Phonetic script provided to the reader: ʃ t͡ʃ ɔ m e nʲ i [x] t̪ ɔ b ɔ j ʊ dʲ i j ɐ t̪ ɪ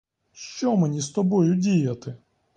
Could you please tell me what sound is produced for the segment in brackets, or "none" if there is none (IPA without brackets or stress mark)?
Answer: s